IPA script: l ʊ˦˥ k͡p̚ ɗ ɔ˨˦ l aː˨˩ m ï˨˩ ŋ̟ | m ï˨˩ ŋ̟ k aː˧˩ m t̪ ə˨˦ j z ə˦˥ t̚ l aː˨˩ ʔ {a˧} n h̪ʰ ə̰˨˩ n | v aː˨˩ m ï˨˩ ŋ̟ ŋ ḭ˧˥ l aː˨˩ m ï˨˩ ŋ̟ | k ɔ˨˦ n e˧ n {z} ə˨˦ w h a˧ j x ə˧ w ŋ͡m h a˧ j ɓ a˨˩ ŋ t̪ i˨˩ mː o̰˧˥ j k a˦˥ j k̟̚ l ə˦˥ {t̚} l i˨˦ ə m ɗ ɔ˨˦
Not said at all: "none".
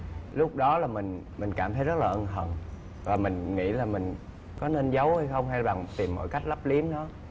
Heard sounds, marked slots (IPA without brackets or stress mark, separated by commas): ə˧, z, p̚